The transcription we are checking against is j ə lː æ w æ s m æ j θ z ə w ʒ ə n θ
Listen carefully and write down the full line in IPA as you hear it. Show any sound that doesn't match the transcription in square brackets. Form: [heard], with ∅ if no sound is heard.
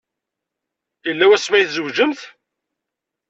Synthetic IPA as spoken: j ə lː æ w æ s m æ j θ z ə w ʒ ə [m] θ